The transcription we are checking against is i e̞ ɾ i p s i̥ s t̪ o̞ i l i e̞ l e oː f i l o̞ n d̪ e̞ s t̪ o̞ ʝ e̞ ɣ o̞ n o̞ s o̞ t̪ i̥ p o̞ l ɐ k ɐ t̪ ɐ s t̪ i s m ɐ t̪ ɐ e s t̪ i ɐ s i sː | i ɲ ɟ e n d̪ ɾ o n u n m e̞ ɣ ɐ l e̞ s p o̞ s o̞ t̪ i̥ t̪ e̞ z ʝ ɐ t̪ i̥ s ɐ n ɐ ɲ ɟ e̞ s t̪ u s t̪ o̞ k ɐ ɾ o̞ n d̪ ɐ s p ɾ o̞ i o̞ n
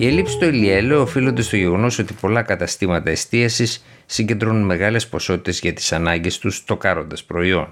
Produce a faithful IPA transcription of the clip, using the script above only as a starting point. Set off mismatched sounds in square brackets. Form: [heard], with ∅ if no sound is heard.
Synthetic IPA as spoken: i e̞ [l] i p s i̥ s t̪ o̞ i l i e̞ l e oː f i l o̞ n d̪ e̞ s t̪ o̞ ʝ e̞ ɣ o̞ n o̞ s o̞ t̪ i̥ p o̞ l ɐ k ɐ t̪ ɐ s t̪ i [∅] m ɐ t̪ ɐ e s t̪ i ɐ s i sː | i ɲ ɟ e n d̪ ɾ o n u n m e̞ ɣ ɐ l e̞ s p o̞ s o̞ t̪ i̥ t̪ e̞ z ʝ ɐ t̪ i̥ s ɐ n ɐ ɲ ɟ e̞ s t̪ u s t̪ o̞ k ɐ ɾ o̞ n d̪ ɐ s p ɾ o̞ i o̞ n